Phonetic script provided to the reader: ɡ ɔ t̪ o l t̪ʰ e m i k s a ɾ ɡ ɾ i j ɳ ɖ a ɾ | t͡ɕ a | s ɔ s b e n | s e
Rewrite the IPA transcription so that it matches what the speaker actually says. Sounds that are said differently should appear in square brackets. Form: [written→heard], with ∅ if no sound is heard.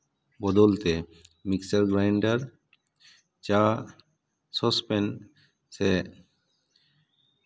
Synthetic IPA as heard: [ɡ→b] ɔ [t̪→d̪] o l [t̪ʰ→t̪] e m i k s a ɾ ɡ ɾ [i→a] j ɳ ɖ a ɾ | t͡ɕ a | s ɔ s [b→p] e n | s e